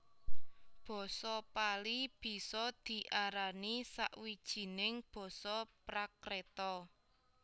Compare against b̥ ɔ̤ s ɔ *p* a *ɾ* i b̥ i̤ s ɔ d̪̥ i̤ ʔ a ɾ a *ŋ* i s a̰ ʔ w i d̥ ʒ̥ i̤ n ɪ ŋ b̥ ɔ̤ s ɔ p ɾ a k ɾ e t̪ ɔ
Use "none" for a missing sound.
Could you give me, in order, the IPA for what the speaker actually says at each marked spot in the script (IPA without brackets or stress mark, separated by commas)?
p, l, n